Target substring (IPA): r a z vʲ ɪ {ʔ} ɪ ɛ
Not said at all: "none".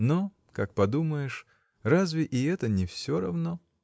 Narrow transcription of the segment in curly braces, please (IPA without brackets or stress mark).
ʔ